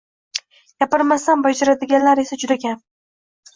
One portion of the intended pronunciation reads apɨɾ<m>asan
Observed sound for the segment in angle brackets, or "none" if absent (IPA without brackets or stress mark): m